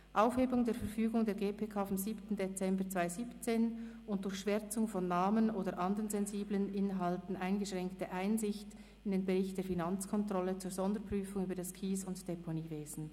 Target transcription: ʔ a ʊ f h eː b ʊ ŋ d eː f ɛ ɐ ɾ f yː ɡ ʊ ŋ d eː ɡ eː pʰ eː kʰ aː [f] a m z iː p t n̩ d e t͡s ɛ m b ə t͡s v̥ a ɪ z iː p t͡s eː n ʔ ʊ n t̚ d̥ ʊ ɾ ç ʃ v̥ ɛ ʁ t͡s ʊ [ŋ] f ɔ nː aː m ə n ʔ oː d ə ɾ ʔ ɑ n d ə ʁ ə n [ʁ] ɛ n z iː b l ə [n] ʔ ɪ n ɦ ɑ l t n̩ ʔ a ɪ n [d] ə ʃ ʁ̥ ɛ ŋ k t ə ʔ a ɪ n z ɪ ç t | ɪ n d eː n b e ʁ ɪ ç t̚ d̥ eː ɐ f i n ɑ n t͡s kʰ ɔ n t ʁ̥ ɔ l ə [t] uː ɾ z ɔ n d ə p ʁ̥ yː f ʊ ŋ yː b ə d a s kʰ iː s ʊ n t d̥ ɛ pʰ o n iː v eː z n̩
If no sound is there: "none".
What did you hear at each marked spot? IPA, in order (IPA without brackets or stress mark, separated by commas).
f, ŋ, z, n, ɡ, t͡s